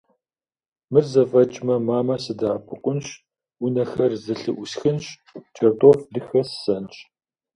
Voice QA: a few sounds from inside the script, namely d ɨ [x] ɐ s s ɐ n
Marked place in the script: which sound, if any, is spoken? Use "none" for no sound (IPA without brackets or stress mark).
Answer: x